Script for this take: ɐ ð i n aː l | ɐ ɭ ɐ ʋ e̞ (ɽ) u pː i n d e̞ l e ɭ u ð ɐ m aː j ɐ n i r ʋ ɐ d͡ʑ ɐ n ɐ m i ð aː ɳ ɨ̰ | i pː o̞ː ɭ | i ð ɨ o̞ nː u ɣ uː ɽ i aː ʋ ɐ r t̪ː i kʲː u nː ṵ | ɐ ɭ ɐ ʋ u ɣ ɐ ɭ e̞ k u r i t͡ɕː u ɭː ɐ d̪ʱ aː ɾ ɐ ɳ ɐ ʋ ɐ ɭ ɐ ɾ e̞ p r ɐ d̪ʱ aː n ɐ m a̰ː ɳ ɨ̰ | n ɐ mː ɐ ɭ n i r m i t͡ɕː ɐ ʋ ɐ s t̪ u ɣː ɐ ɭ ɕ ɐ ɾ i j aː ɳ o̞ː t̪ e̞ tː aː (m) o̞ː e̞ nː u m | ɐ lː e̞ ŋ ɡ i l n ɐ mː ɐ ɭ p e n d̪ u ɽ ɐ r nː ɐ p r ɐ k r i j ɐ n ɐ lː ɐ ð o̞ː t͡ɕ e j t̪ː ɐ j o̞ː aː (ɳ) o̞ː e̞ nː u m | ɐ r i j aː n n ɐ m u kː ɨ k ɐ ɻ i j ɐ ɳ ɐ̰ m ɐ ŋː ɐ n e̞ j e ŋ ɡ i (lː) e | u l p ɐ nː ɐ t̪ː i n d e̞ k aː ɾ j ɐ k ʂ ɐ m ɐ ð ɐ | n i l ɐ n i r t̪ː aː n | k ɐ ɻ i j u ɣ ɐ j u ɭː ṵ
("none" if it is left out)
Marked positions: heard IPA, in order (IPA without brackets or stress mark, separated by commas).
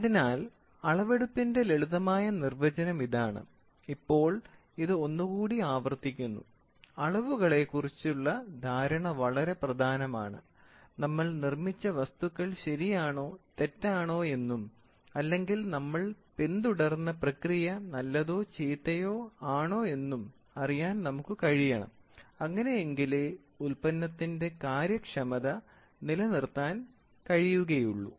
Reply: ɽ, ɳ, ɳ, l